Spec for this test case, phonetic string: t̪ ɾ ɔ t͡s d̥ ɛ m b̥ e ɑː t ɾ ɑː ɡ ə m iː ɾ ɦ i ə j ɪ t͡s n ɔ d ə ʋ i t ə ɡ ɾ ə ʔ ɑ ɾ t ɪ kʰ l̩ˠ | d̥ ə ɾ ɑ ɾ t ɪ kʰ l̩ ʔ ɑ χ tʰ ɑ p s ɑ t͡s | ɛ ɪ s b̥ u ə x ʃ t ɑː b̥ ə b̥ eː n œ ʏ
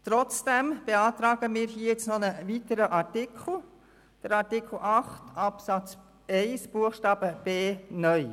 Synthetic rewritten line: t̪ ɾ ɔ t͡s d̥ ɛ m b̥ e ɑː t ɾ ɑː ɡ ə m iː ɾ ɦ i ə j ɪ t͡s n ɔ n ə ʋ i t ə ɾ ə ʔ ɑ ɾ t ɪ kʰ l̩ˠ | d̥ ə ɾ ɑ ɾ t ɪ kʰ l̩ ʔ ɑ χ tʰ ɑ p s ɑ t͡s | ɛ ɪ s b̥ u ə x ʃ t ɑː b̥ ə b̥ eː n œ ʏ